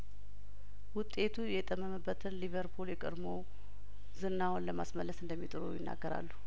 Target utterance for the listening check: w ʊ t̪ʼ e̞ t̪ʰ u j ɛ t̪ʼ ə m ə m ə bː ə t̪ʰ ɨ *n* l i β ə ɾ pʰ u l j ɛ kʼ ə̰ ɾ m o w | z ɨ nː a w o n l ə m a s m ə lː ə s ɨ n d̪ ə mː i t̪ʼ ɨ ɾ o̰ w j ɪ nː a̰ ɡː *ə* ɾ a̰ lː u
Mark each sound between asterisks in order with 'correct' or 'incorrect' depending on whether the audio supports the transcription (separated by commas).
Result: correct, correct